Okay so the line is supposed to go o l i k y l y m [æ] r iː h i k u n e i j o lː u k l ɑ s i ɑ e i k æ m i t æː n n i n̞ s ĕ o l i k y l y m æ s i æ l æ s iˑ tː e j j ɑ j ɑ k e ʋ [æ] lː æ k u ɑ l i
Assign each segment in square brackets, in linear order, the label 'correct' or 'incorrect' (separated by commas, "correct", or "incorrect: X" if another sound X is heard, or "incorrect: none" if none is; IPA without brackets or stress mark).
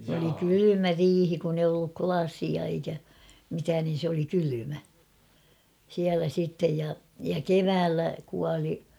correct, incorrect: æː